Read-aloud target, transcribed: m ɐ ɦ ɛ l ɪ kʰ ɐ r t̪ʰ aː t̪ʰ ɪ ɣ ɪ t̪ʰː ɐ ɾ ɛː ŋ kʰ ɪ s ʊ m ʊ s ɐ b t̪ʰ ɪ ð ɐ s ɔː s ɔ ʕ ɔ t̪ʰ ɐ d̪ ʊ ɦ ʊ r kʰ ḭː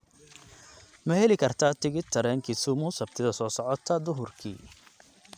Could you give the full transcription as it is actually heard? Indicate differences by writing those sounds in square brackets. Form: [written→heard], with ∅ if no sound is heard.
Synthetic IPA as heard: m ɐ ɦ ɛ l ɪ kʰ ɐ r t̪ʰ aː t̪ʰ ɪ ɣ ɪ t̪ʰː ɐ ɾ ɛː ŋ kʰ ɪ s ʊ m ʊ s ɐ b t̪ʰ ɪ ð ɐ s ɔː s ɔ ʕ ɔ t̪ʰ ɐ d̪ ʊ ɦ ʊ r kʰ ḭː